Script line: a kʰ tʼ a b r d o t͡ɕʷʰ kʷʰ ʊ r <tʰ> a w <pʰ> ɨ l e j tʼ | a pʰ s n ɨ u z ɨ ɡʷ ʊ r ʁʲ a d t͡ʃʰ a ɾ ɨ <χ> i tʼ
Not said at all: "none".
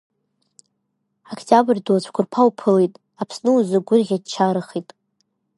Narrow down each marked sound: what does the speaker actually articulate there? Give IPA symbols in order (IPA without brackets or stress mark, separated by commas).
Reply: pʰ, pʰ, χ